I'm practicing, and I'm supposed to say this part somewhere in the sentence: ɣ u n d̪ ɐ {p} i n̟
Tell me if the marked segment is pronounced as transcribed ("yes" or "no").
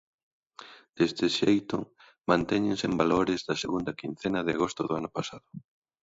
no